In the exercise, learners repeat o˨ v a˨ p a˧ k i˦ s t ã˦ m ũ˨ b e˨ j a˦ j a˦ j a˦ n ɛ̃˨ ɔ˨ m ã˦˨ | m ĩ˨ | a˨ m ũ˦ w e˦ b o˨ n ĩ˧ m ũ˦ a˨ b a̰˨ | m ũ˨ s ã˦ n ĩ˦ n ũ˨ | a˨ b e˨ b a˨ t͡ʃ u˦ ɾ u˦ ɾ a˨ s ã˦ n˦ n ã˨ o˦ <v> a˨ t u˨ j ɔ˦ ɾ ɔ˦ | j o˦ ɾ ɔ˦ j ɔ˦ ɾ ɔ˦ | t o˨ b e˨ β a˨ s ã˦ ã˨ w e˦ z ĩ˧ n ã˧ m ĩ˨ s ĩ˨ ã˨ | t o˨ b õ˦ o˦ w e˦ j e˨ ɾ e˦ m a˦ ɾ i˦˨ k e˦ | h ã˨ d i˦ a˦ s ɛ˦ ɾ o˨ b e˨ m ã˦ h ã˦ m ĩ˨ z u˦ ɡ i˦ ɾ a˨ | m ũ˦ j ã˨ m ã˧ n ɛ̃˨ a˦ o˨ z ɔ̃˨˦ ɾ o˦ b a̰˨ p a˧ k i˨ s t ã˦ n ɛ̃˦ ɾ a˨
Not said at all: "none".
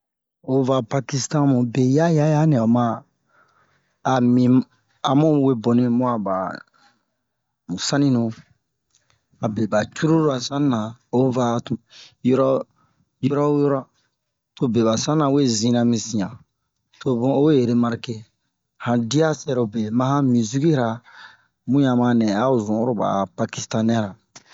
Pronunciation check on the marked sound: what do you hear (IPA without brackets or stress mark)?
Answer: v